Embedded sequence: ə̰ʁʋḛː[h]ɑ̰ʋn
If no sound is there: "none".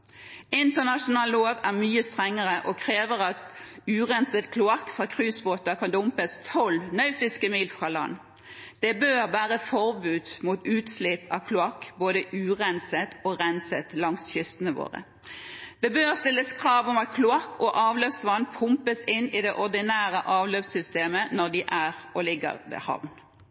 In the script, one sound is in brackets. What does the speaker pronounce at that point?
h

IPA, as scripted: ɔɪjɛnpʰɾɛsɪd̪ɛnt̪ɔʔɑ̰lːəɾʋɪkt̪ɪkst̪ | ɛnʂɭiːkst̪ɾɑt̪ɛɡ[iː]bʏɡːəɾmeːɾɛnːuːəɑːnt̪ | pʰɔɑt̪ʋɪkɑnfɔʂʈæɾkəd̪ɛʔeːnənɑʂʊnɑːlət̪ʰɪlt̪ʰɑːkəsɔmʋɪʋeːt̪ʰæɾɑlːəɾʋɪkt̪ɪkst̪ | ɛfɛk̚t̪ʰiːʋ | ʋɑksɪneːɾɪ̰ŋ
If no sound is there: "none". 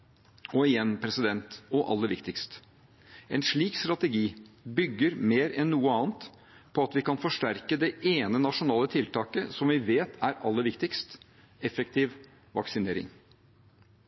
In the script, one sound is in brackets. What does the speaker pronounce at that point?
iː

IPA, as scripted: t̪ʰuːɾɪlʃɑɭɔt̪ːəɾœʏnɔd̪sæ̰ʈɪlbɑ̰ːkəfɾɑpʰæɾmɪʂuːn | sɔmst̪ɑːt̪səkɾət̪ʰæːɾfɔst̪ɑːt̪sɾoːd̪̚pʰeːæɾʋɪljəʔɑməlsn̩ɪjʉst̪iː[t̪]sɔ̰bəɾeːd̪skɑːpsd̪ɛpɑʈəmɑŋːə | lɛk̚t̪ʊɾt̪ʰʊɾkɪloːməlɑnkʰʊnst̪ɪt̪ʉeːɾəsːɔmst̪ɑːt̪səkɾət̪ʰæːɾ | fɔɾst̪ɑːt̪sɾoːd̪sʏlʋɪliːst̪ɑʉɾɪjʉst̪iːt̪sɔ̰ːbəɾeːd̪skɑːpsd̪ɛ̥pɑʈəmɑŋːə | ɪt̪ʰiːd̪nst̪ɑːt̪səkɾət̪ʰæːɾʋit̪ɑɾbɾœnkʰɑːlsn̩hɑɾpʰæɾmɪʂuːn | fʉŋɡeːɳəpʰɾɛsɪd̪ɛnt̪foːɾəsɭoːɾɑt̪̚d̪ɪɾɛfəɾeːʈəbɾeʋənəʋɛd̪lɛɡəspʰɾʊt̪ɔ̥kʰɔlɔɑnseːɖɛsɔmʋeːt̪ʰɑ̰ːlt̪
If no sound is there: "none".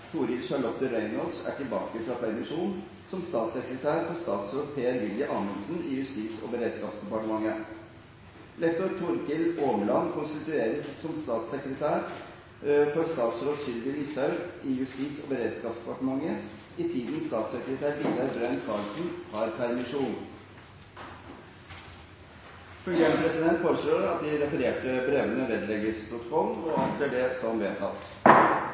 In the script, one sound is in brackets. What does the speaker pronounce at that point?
t̪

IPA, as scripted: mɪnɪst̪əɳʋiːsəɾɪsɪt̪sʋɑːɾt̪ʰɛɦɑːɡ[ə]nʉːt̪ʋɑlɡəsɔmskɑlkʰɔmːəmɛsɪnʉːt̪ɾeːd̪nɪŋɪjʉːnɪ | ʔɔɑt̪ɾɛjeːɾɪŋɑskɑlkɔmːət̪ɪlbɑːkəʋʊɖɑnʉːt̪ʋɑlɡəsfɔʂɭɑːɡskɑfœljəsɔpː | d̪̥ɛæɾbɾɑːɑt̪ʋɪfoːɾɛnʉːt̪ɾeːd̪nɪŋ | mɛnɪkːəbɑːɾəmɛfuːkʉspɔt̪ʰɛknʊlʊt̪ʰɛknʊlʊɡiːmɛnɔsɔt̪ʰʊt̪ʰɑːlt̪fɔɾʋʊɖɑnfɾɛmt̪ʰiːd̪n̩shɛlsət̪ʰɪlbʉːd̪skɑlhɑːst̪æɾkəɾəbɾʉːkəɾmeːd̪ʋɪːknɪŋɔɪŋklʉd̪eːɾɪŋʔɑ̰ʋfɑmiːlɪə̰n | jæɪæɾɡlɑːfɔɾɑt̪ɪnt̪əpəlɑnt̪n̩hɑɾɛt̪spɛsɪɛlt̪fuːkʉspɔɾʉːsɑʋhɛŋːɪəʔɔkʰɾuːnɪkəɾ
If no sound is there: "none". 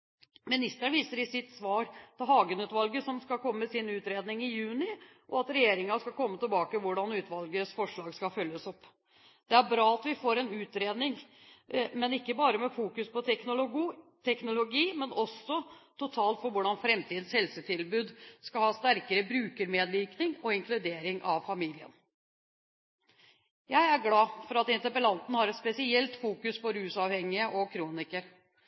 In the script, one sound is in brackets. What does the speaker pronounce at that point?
ə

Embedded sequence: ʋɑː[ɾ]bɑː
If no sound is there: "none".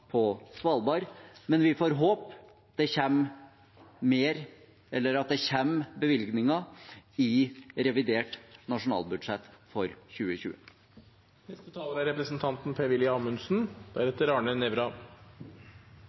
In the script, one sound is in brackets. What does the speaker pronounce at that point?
l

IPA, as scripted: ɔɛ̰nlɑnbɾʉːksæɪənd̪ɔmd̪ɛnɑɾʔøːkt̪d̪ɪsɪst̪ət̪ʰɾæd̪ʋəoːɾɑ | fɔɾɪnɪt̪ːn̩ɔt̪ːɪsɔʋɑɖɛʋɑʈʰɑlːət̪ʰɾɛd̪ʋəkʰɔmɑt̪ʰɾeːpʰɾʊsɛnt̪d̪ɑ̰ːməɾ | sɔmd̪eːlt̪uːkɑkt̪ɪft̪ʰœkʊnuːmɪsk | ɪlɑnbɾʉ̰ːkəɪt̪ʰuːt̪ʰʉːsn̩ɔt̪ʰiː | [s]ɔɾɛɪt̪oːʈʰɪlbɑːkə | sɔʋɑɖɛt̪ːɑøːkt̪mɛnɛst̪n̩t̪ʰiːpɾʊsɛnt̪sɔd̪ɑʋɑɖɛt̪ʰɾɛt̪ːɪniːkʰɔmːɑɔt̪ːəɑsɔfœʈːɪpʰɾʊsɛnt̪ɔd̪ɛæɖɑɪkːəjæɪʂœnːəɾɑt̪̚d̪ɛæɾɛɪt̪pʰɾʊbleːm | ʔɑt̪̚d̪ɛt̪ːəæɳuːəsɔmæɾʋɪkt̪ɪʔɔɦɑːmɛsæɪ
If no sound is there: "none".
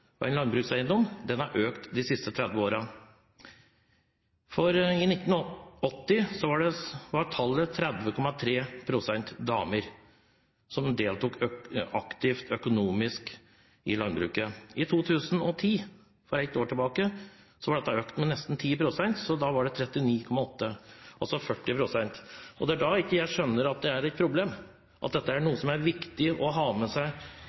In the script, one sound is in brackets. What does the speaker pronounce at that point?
f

